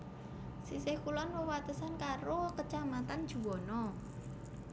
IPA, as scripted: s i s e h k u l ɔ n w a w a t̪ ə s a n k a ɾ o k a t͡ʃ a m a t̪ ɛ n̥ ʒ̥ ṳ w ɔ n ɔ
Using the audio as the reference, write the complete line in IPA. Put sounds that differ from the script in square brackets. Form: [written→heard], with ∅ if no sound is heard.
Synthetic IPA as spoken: s i s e h k u l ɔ n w [a→ə] w a t̪ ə s a n k a ɾ o k [a→ə] t͡ʃ a m a t̪ [ɛ→a] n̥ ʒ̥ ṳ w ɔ n ɔ

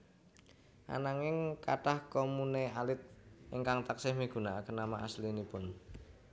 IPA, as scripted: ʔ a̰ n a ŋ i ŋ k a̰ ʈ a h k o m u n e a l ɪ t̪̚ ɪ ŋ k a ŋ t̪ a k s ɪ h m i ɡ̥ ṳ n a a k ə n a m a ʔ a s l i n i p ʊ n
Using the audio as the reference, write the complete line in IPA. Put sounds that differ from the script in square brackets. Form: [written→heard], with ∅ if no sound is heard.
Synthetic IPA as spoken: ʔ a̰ n a ŋ [i→ɪ] ŋ k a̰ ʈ a h k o m u n e a l ɪ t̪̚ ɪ ŋ k a ŋ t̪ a k s ɪ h m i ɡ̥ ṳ n a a k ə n a m a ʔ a s l i n i p ʊ n

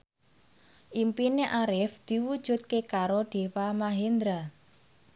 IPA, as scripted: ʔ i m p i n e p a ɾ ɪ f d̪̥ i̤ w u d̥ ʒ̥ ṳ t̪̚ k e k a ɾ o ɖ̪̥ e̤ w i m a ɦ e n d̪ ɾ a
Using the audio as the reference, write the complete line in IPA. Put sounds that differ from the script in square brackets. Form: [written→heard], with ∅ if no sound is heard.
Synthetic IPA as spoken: ʔ i m p i n e [p→ʔ] a ɾ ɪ f d̪̥ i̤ w u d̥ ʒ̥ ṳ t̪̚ k e k a ɾ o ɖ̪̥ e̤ w [i→a] m a ɦ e n d̪ ɾ a

